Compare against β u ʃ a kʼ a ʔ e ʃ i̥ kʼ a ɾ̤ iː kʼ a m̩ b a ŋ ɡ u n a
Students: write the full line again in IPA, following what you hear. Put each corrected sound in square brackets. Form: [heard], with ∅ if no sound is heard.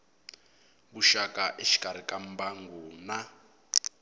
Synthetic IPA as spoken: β u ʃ a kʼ a ʔ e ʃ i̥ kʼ a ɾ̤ [i] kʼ a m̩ b a ŋ ɡ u n a